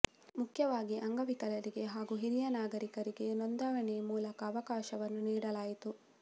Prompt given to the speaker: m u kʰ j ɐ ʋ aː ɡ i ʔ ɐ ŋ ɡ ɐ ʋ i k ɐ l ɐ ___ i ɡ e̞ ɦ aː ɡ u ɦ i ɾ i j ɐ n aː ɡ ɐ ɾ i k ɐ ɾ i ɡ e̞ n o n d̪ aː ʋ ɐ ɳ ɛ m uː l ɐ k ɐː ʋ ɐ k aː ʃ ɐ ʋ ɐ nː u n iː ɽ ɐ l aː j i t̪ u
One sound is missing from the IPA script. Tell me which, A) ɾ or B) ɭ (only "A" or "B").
A